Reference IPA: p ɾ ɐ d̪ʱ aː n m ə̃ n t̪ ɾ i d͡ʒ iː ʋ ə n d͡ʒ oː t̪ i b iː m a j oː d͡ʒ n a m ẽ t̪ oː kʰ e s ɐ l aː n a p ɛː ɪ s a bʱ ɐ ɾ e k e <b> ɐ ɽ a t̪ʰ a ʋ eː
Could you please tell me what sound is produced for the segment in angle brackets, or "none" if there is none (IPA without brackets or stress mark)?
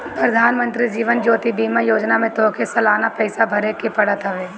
p